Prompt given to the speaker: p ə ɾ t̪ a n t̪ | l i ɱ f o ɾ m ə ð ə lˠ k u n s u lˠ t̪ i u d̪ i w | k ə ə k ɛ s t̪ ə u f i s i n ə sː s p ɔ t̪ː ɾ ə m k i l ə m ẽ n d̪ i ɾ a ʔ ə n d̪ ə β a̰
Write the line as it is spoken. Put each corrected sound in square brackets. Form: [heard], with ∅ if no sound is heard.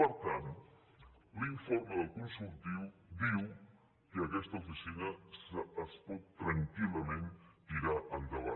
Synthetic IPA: p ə ɾ t̪ a n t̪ | l i ɱ f o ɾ m ə ð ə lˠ k u n s u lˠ t̪ i [w] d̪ i w | k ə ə k ɛ s t̪ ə u f i s i n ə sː s p ɔ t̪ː ɾ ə [ŋ] k i l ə m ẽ n [t̪] i ɾ a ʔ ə n d̪ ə β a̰